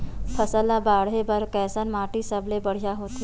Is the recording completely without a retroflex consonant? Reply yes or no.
no